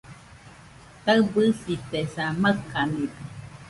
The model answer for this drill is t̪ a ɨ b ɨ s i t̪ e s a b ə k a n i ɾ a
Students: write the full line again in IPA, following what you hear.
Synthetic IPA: t̪ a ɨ b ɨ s i t̪ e s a m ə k a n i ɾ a